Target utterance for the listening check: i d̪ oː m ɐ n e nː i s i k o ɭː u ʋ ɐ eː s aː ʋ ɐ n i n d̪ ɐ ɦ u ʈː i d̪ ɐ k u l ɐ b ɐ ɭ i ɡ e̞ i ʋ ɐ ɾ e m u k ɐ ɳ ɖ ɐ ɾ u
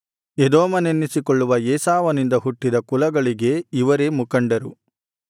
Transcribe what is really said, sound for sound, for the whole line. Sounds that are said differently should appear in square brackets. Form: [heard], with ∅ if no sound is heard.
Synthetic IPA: [e] d̪ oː m ɐ n e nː i s i k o ɭː u ʋ ɐ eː s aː ʋ ɐ n i n d̪ ɐ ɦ u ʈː i d̪ ɐ k u l ɐ [ɡ] ɐ ɭ i ɡ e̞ i ʋ ɐ ɾ e m u k ɐ ɳ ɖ ɐ ɾ u